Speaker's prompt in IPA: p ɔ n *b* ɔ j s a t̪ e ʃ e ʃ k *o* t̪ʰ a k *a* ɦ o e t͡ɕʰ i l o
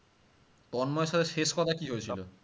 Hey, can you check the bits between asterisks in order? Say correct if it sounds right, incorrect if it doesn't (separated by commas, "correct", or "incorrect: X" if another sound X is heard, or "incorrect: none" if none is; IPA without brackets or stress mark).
incorrect: m, incorrect: ɔ, incorrect: i